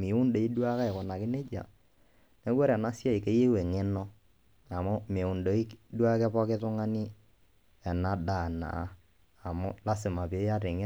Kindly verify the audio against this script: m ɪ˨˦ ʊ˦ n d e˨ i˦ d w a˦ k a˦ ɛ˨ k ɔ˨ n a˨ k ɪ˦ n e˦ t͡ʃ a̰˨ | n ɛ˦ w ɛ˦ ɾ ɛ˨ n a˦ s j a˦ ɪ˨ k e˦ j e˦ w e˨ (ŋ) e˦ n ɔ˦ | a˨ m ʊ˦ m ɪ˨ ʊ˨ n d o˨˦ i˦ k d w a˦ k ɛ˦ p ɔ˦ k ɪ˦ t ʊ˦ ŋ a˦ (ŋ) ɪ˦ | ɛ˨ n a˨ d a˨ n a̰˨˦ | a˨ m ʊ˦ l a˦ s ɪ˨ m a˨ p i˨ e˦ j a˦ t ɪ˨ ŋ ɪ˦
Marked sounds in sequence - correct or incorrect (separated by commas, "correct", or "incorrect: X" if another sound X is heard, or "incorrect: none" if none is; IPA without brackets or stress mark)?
correct, incorrect: n